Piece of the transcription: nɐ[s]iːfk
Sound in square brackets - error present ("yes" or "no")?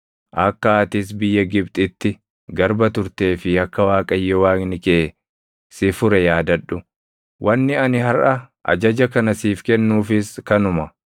no